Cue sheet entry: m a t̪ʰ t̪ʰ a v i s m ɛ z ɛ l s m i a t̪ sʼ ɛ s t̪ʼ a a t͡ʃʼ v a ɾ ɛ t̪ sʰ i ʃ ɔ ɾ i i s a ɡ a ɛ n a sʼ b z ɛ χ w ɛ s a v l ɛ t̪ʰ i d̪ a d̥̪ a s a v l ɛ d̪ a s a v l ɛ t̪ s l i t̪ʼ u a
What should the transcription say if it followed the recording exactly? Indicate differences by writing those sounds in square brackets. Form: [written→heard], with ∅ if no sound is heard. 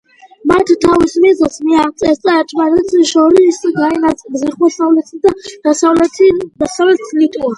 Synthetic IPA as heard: m a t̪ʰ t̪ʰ a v i s m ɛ z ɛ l s m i a t̪ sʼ ɛ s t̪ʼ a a t͡ʃʼ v a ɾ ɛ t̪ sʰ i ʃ ɔ ɾ i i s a ɡ a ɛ n a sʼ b z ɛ χ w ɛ s a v l ɛ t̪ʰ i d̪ a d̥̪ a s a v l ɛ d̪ a s a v l ɛ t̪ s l i t̪ʼ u a

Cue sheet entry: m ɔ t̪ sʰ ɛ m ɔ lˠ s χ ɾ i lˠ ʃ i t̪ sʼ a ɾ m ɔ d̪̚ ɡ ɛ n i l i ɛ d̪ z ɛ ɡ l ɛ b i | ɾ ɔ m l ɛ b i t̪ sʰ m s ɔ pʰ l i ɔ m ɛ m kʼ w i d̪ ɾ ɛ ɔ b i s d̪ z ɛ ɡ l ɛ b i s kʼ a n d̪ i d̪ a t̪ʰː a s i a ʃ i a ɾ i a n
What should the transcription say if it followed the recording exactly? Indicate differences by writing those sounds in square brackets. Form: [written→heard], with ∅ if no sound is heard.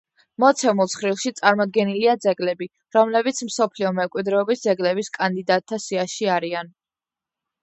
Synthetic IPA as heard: m ɔ t̪ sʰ ɛ m [ɔ→u] lˠ s χ ɾ i lˠ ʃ i t̪ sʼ a ɾ m ɔ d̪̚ ɡ ɛ n i l i [ɛ→a] d̪ z ɛ ɡ l ɛ b i | ɾ ɔ m l ɛ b i t̪ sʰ m s ɔ pʰ l i ɔ m ɛ m kʼ w i d̪ ɾ ɛ ɔ b i s d̪ z ɛ ɡ l ɛ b i s kʼ a n d̪ i d̪ a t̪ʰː a s i a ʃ i a ɾ i a n

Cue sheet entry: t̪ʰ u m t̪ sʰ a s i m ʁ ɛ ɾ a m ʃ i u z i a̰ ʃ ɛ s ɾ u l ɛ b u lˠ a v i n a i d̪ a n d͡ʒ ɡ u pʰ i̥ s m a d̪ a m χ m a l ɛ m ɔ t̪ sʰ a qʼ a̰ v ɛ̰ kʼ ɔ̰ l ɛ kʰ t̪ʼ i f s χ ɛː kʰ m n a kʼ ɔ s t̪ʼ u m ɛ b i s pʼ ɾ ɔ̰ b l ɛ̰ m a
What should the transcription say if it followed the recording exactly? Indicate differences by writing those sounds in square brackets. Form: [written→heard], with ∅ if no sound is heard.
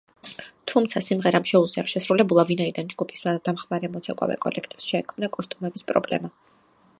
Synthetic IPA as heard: t̪ʰ u m t̪ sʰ a s i m ʁ ɛ ɾ a m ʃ [i→ɛ] u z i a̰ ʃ ɛ s ɾ u l ɛ b u lˠ a v i n a i d̪ a n d͡ʒ ɡ u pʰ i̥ s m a d̪ a m χ m a [l→ɾ] ɛ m ɔ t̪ sʰ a [qʼ→kʼ] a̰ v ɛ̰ kʼ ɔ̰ l ɛ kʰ t̪ʼ i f s [χ→ʃ] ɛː kʰ m n a kʼ ɔ s t̪ʼ u m ɛ b i s pʼ ɾ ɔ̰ b l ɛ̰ m a

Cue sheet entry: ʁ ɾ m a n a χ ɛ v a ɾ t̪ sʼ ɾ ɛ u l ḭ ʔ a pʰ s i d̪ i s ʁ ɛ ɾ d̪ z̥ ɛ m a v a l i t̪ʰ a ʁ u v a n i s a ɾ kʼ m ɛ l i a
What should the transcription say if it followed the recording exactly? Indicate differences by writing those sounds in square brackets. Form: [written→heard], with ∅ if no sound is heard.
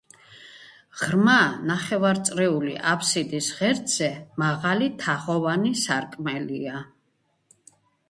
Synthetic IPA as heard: ʁ ɾ m a n a χ ɛ v a ɾ t̪ sʼ ɾ ɛ u l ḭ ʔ a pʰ s i d̪ i s ʁ ɛ ɾ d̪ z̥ ɛ m a [v→ʁ] a l i t̪ʰ a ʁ [u→ɔ] v a n i s a ɾ kʼ m ɛ l i a

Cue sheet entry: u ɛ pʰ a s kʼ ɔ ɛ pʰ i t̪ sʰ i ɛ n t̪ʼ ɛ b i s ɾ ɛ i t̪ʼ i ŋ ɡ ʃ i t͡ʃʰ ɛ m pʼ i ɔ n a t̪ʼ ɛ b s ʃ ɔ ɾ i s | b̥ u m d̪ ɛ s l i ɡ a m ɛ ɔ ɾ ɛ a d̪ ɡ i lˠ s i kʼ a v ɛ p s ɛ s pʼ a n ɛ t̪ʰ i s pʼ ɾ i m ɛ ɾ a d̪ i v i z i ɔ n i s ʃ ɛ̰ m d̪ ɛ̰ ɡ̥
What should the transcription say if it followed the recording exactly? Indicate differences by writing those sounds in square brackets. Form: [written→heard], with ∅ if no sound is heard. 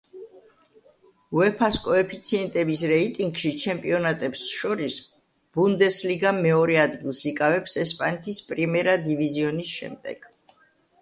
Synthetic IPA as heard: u ɛ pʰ a s kʼ ɔ ɛ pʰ i t̪ sʰ i ɛ n t̪ʼ ɛ b i s ɾ ɛ i t̪ʼ i ŋ ɡ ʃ i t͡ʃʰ ɛ m pʼ i ɔ n a t̪ʼ ɛ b s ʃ ɔ ɾ i s | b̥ u [m→n] d̪ ɛ s l i ɡ a m ɛ ɔ ɾ ɛ a d̪ ɡ i lˠ s i kʼ a v ɛ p s ɛ s pʼ a n ɛ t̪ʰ i s pʼ ɾ i m ɛ ɾ a d̪ i v i z i ɔ n i s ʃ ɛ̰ m d̪ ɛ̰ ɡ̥

